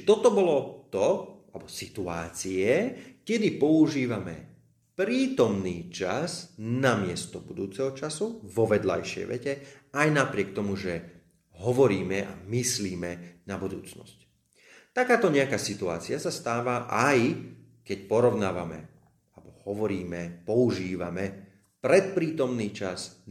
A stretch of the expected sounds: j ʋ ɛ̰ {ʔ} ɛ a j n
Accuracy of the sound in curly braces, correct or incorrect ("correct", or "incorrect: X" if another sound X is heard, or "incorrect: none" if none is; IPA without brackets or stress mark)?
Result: incorrect: c